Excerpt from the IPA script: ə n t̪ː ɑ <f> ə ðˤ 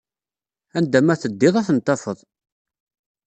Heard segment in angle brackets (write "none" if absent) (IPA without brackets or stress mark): f